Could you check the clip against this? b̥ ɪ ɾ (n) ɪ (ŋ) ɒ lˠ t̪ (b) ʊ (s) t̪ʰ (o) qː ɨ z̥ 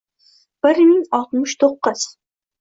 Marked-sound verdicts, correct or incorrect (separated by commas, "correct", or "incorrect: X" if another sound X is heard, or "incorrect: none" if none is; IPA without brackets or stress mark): incorrect: m, correct, incorrect: m, incorrect: ʃ, correct